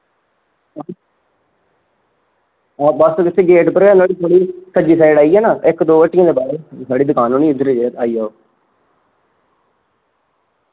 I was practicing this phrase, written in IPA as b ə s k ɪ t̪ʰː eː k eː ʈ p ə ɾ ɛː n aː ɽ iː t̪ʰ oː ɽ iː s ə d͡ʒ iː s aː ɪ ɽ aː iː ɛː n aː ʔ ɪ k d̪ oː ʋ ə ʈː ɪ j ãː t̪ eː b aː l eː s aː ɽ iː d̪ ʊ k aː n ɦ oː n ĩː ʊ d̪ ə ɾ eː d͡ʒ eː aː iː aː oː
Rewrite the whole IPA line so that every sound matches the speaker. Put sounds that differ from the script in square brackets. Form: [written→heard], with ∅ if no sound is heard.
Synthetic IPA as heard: b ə s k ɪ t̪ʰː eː [k→ɡ] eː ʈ p ə ɾ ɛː n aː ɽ iː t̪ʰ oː ɽ iː s ə d͡ʒ iː s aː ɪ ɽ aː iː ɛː n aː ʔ ɪ k d̪ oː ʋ ə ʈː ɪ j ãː [t̪→d̪] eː b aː [l→ɾ] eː s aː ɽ iː d̪ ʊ k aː n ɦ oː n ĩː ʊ d̪ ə ɾ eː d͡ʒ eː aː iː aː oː